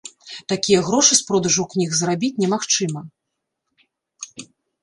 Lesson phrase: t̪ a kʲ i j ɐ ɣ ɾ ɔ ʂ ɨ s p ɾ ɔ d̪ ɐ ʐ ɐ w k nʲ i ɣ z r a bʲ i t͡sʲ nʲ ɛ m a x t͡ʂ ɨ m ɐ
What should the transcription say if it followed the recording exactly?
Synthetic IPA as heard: t̪ a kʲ i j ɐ ɣ ɾ ɔ ʂ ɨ s p ɾ ɔ d̪ ɐ ʐ ɐ w k nʲ i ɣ z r a bʲ i t͡sʲ nʲ ɛ m a x t͡ʂ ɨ m ɐ